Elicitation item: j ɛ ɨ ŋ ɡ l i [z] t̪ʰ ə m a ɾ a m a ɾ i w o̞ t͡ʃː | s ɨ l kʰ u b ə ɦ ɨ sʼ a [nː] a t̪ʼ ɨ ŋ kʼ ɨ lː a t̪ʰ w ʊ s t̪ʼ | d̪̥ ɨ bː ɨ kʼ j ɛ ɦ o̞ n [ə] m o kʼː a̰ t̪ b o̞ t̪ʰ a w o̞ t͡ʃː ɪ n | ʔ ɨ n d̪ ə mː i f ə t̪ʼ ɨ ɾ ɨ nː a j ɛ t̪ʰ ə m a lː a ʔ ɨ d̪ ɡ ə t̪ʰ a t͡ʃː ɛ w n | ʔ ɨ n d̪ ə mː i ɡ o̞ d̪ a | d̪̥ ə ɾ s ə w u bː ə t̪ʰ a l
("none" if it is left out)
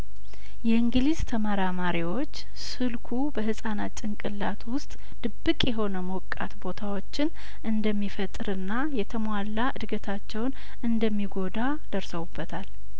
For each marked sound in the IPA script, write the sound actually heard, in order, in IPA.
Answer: z, n, ə

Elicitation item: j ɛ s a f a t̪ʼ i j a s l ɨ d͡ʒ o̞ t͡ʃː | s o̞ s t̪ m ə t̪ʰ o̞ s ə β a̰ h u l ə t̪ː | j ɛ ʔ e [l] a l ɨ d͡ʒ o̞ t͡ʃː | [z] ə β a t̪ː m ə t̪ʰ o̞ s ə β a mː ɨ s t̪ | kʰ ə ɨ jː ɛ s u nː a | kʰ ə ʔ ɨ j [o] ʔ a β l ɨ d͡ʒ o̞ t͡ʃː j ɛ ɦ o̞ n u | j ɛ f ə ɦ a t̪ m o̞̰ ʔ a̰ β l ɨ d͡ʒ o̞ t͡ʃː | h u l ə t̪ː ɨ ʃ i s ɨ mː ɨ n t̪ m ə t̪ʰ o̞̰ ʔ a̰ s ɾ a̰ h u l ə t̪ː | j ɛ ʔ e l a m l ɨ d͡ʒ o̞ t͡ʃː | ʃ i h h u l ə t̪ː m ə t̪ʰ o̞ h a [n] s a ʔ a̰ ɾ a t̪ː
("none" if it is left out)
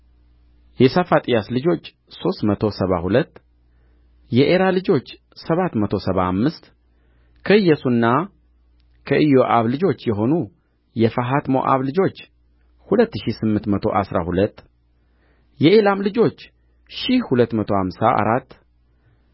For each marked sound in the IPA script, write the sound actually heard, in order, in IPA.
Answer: ɾ, s, o, m

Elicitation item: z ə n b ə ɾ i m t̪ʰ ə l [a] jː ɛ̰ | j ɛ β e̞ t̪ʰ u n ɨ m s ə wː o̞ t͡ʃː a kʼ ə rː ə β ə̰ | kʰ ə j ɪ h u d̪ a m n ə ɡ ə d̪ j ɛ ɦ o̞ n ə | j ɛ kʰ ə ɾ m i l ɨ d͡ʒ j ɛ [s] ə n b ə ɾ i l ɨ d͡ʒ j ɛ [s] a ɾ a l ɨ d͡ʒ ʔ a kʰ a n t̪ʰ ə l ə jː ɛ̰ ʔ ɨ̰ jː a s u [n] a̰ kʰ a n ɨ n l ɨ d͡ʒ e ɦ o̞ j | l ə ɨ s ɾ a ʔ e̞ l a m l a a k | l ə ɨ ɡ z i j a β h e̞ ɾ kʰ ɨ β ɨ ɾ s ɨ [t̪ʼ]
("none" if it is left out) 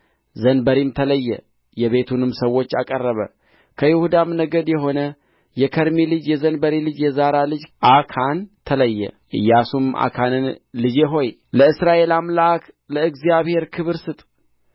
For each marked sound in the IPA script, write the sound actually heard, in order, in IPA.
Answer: ə, z, z, m, t̪ʼ

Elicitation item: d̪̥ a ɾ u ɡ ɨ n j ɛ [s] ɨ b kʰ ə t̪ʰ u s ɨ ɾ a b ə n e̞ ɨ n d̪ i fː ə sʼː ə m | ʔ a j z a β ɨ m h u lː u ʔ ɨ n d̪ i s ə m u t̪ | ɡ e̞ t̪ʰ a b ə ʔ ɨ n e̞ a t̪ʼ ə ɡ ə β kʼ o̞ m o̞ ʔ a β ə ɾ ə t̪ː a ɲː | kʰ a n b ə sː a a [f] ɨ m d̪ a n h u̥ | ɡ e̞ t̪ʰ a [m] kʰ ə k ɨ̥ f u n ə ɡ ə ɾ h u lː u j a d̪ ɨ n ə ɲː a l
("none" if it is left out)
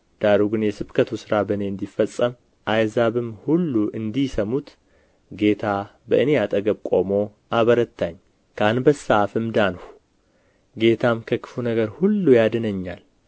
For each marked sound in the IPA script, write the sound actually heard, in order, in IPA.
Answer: s, f, m

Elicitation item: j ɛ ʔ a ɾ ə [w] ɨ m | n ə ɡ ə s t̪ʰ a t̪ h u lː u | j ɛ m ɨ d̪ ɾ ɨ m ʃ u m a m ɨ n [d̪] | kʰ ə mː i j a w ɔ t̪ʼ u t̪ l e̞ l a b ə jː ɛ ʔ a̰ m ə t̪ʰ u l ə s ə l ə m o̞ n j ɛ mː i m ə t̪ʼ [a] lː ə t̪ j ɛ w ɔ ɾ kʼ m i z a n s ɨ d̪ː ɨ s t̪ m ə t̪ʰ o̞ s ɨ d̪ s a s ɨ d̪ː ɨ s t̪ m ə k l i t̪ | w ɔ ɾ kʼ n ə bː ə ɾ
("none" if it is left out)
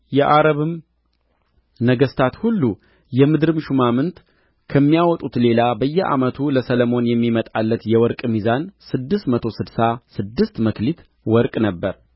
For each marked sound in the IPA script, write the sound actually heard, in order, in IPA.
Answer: β, t̪, a

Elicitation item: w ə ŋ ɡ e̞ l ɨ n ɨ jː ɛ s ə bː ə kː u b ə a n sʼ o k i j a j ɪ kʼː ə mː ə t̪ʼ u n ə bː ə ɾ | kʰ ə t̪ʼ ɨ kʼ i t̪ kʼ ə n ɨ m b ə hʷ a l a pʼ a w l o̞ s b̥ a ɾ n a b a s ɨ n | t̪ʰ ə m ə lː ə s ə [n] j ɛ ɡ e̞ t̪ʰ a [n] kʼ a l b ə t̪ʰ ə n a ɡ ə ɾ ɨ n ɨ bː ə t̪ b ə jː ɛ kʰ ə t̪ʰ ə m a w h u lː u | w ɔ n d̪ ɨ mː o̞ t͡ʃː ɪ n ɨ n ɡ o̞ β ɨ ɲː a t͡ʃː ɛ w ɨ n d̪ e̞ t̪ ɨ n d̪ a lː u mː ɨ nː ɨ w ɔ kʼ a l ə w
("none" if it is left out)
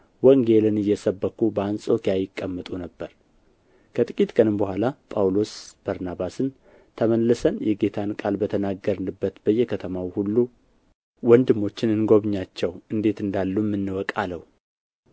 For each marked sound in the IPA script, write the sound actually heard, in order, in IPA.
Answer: n, n

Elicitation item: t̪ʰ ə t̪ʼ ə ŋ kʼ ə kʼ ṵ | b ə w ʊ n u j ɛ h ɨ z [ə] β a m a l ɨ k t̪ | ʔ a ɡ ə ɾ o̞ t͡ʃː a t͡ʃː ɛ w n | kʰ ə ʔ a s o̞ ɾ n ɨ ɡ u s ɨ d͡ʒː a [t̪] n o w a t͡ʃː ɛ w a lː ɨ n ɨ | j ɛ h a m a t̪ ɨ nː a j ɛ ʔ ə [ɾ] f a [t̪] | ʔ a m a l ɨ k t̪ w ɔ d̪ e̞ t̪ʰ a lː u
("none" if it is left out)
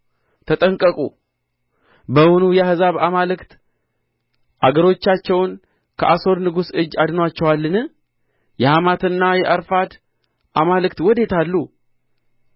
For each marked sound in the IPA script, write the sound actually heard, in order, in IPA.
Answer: a, d̪, ɾ, d̪

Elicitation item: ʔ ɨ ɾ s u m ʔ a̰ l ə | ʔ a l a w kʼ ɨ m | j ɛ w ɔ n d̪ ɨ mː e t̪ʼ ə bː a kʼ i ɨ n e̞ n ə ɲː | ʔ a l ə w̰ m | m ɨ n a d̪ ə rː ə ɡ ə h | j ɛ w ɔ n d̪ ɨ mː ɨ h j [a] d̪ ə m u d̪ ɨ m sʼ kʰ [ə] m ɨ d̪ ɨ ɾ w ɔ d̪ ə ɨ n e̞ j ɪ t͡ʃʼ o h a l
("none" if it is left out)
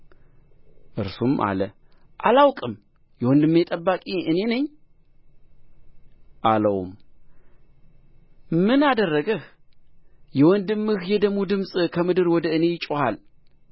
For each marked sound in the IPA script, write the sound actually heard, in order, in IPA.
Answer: ɛ, ə

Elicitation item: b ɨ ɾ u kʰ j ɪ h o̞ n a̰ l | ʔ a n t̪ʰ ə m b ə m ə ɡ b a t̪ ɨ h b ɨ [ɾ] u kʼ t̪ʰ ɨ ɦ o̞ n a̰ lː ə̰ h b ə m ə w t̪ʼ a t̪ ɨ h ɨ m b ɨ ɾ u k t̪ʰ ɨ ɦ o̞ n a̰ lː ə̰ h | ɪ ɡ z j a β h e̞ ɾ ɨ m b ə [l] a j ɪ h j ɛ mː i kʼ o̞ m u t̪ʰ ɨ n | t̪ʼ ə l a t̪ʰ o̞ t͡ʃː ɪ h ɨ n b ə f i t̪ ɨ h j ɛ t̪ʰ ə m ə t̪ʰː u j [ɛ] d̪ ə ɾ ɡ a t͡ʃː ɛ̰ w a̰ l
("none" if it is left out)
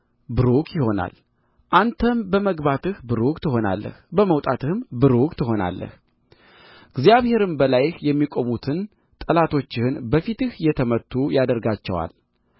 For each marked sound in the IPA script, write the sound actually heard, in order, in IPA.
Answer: ɾ, l, a

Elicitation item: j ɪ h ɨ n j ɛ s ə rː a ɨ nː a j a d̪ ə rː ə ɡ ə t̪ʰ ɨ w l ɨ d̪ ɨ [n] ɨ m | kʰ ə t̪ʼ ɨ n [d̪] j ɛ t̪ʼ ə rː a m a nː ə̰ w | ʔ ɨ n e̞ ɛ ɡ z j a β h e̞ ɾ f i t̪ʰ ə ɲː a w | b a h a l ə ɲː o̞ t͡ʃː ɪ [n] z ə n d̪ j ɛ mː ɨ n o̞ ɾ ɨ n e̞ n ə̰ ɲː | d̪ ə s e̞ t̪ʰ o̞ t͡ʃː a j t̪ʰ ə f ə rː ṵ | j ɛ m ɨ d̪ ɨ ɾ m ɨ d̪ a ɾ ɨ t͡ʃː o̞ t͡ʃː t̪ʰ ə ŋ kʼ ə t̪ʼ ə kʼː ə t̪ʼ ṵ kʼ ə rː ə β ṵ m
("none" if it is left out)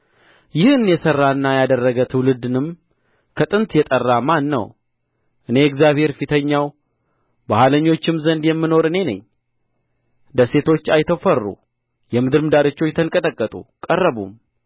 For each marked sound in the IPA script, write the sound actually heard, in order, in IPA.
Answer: n, t̪, m

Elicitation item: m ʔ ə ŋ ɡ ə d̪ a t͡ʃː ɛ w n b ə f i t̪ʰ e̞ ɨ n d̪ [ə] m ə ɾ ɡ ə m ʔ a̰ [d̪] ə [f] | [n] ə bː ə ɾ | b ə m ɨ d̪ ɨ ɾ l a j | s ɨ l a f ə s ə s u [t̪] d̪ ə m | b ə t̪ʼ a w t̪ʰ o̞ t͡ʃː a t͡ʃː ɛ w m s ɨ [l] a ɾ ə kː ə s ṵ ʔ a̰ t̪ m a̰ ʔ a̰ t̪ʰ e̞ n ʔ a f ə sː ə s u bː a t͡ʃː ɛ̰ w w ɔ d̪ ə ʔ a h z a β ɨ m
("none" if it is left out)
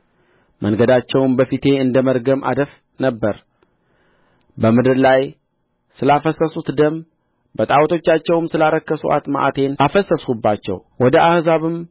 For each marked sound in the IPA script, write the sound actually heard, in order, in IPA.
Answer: ə, d̪, f, n, t̪, l

